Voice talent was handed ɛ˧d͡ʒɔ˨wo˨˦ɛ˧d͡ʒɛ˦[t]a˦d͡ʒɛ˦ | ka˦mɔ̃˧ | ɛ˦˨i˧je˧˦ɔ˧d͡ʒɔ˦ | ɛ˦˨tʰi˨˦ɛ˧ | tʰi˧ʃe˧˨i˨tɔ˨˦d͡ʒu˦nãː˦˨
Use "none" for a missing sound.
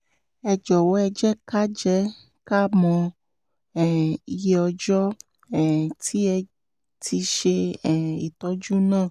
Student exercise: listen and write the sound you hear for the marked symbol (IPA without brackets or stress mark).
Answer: k